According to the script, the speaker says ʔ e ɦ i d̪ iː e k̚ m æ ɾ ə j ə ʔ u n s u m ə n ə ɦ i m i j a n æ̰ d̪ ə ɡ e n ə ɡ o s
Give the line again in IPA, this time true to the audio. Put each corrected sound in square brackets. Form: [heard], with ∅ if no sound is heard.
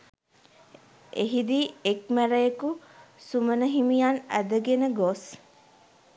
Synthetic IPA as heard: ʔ e ɦ i d̪ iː e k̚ m æ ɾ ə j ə [k] u [∅] s u m ə n ə ɦ i m i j a n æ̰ d̪ ə ɡ e n ə ɡ o s